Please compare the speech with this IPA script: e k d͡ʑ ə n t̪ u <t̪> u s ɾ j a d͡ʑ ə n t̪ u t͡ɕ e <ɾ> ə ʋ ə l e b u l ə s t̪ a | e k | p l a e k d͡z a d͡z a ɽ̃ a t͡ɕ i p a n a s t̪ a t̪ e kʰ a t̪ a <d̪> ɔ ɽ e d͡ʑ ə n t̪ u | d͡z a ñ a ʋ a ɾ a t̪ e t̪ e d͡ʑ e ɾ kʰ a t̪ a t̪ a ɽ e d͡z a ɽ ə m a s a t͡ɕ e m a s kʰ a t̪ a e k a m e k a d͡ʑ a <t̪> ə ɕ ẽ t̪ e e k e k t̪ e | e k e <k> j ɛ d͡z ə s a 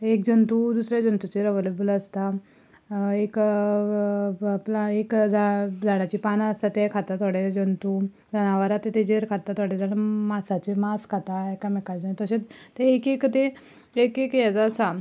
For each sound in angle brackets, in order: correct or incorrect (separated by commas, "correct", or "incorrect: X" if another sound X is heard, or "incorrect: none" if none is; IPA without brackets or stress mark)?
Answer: incorrect: d̪, correct, incorrect: t̪, correct, correct